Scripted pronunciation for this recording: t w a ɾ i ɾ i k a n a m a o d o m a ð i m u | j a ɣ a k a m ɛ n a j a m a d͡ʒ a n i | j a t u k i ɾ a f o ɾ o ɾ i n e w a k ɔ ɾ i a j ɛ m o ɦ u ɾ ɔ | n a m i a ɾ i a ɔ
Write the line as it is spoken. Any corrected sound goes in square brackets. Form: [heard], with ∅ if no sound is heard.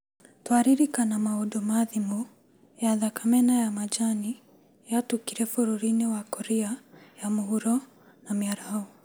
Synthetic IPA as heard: t w a ɾ i ɾ i k a n a m a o d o m a ð i m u | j a [ð] a k a m ɛ n a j a m a d͡ʒ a n i | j a t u k i ɾ [ɛ] f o ɾ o ɾ i n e w a k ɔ ɾ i a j [a] m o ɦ u ɾ ɔ | n a m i a ɾ [a] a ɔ